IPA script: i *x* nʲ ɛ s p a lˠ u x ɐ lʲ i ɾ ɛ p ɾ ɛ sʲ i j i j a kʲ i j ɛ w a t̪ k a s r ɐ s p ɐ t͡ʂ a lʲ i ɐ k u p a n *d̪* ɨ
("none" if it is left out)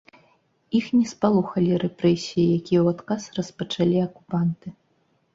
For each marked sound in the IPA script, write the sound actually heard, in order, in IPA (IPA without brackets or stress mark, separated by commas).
x, t̪